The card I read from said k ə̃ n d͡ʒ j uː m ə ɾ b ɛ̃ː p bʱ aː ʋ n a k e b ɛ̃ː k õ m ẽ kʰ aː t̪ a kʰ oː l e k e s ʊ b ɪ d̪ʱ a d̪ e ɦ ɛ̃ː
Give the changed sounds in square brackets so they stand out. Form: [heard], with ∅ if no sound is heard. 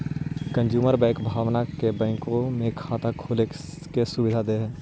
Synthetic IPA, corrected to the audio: k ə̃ n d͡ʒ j uː m ə ɾ b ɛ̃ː [k] bʱ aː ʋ n a k e b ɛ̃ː k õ m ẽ kʰ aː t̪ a kʰ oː l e k e s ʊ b ɪ d̪ʱ a d̪ e ɦ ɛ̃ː

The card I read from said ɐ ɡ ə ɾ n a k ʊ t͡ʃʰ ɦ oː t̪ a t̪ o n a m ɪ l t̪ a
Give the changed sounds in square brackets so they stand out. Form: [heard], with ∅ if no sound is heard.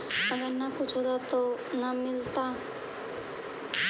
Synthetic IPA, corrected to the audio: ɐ ɡ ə ɾ n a k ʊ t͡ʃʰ ɦ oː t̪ a t̪ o n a m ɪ l t̪ a

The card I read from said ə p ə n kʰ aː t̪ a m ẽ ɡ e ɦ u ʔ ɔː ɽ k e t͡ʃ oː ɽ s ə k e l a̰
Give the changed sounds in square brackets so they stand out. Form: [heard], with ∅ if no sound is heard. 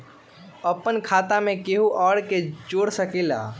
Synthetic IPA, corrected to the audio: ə p ə n kʰ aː t̪ a m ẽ [k] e ɦ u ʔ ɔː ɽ k e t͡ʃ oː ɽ s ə k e l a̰

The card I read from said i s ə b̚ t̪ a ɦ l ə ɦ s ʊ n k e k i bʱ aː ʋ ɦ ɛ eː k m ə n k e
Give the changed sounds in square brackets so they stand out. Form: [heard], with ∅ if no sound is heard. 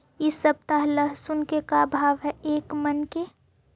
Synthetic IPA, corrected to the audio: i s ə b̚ t̪ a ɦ l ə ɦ s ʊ n k e k [a] bʱ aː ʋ ɦ ɛ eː k m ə n k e

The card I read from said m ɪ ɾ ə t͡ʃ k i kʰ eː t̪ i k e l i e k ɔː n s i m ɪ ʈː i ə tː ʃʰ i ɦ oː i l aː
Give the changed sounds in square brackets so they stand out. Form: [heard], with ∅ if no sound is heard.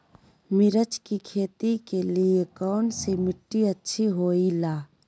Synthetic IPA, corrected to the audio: m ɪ ɾ ə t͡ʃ k i kʰ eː t̪ i k e l i e k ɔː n s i m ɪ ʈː i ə tː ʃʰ i ɦ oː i l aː

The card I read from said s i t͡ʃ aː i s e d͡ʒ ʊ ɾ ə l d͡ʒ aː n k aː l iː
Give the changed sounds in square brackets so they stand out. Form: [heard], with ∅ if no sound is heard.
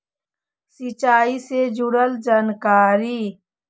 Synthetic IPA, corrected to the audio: s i t͡ʃ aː i s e d͡ʒ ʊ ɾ ə l d͡ʒ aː n k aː [ɾ] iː

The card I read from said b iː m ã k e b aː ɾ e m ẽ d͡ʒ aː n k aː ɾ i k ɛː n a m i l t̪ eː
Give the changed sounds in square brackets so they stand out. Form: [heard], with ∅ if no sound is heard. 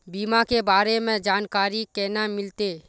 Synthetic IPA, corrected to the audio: b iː m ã k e b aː ɾ e m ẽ d͡ʒ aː n k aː ɾ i k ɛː n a m [ɪ] l t̪ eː

